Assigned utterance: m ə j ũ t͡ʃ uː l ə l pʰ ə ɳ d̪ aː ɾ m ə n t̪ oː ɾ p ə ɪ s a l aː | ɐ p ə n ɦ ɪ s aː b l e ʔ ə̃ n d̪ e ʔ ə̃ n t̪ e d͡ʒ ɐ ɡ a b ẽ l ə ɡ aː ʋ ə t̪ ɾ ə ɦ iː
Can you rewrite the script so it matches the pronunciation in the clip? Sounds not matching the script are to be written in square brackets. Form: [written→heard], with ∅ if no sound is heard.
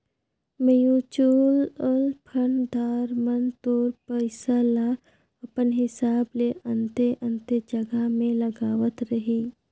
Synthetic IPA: m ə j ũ t͡ʃ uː l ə l pʰ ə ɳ d̪ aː ɾ m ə n t̪ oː ɾ p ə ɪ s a l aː | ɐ p ə n ɦ ɪ s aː b l e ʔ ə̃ n [d̪→t̪] e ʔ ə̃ n t̪ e d͡ʒ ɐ ɡ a [b→m] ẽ l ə ɡ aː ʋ ə t̪ ɾ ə ɦ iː